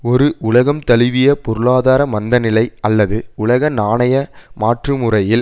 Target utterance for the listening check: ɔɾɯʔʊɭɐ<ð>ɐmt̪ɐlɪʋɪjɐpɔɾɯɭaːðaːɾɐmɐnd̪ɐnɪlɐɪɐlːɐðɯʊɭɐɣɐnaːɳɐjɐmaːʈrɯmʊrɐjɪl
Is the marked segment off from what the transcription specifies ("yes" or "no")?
yes